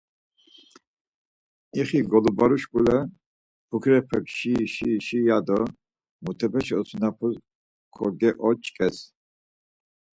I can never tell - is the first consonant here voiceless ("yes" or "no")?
yes